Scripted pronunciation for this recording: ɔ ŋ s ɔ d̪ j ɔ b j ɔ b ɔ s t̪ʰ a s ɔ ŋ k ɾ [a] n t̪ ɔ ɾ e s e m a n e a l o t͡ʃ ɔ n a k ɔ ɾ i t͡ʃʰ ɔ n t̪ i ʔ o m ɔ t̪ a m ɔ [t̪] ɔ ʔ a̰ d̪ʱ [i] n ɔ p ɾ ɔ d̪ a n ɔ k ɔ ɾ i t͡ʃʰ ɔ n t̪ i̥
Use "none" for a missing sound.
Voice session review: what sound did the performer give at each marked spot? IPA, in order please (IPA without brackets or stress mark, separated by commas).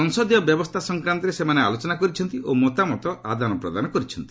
a, t̪, a